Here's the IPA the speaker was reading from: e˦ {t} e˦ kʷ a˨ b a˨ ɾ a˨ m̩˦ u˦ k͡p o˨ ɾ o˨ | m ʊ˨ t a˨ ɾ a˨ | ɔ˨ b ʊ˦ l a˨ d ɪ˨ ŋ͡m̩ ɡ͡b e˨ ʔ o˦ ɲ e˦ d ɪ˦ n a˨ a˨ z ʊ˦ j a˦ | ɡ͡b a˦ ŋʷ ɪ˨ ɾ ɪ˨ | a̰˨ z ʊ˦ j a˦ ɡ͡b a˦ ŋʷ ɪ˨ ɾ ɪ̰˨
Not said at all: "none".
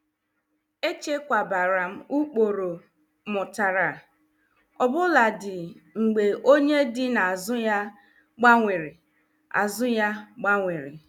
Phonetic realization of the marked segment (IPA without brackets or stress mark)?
t͡ʃ